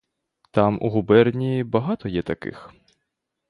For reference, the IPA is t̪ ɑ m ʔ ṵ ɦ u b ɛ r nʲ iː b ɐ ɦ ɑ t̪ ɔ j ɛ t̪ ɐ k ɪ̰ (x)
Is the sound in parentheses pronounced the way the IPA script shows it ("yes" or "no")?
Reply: yes